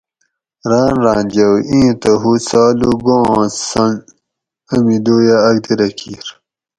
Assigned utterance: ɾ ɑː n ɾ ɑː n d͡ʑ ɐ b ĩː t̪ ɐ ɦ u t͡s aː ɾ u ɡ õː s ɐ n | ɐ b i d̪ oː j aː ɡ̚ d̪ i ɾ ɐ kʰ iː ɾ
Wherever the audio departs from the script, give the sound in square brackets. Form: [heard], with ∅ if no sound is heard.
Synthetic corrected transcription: ɾ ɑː n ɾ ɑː n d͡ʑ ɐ [w] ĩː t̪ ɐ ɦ u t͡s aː [l] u ɡ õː s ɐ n | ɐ [m] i d̪ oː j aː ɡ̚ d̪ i ɾ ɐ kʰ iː ɾ